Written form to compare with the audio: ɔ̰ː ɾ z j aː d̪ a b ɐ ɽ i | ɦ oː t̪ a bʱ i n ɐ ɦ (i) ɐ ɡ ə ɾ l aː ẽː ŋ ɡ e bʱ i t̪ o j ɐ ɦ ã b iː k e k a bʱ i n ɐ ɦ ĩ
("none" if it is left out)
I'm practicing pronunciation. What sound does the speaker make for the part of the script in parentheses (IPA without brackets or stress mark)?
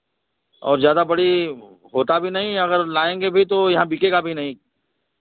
ĩ